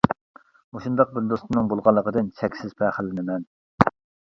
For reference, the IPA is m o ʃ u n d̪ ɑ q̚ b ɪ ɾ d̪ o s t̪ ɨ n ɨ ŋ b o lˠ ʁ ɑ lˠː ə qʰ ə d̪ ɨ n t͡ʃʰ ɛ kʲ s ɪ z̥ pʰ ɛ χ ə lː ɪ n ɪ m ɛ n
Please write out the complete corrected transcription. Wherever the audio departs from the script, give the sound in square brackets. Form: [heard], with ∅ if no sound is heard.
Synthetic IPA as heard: m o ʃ u n d̪ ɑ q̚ b ɪ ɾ d̪ o s t̪ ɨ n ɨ ŋ b o lˠ ʁ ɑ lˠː ə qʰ ə d̪ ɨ n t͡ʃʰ ɛ kʲ s ɪ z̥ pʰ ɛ χ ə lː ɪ n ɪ m ɛ n